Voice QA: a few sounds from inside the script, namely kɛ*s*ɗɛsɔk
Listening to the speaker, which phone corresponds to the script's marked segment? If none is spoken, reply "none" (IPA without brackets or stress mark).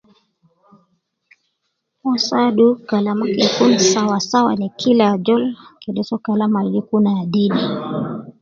none